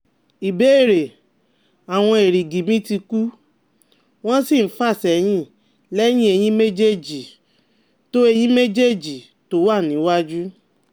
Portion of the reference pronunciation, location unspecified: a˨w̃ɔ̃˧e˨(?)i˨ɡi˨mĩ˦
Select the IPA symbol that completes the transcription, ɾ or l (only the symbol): ɾ